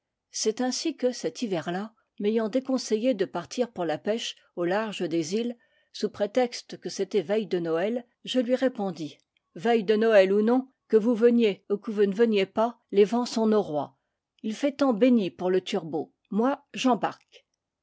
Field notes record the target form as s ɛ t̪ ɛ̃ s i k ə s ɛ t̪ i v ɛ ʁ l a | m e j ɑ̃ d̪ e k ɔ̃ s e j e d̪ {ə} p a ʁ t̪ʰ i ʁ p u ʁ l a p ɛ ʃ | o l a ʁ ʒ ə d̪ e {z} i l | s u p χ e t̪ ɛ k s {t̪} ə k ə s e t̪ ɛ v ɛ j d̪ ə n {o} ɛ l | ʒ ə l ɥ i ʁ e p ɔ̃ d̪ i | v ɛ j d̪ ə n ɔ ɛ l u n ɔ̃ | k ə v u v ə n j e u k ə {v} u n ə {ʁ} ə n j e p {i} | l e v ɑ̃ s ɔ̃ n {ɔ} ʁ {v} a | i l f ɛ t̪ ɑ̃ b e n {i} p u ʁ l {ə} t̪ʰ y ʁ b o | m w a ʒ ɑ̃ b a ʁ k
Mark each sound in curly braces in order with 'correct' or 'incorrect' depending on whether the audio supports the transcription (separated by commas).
correct, correct, correct, incorrect, correct, incorrect, incorrect, incorrect, incorrect, correct, correct